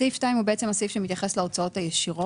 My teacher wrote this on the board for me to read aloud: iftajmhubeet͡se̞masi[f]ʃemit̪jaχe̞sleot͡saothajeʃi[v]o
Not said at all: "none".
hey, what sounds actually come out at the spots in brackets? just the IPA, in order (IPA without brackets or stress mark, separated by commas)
f, ʁ